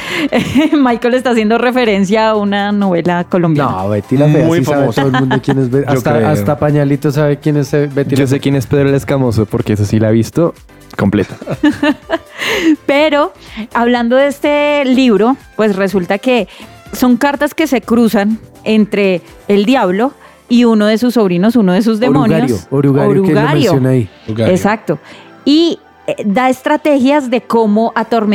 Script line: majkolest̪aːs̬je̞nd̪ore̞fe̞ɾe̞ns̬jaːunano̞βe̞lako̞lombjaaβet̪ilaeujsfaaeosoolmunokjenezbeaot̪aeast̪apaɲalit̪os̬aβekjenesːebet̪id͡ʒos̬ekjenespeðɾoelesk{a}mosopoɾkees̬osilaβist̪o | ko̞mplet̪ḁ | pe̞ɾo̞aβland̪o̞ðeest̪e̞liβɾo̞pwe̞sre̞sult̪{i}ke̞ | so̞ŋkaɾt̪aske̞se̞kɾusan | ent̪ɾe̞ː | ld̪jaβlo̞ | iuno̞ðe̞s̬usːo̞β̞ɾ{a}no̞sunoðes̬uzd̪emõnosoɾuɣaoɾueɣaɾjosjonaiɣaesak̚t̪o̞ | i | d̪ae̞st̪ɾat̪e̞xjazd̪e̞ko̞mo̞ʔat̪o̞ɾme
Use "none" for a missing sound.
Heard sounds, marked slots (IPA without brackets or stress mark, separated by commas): a, a, i